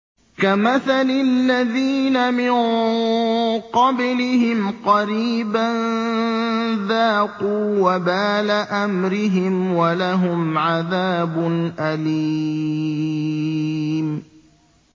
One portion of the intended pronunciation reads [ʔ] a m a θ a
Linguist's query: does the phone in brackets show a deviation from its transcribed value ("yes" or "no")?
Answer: yes